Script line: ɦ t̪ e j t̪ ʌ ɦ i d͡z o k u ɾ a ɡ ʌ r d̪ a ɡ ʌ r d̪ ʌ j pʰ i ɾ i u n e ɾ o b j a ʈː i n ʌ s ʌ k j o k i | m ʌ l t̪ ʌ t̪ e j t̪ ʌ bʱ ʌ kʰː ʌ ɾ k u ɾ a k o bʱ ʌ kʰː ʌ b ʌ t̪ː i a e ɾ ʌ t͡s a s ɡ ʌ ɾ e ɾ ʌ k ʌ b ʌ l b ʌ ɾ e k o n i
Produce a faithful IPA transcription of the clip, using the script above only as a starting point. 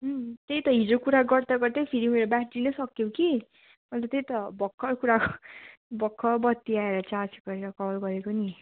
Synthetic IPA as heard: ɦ t̪ e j t̪ ʌ ɦ i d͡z o k u ɾ a ɡ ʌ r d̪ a ɡ ʌ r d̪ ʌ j pʰ i ɾ i u n e ɾ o b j a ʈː i n ʌ s ʌ k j o k i | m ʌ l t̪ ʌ t̪ e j t̪ ʌ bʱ ʌ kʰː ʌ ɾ k u ɾ a k o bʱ ʌ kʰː ʌ b ʌ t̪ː i a e ɾ ʌ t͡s a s ɡ ʌ ɾ e ɾ ʌ k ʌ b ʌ l ɡ ʌ ɾ e k o n i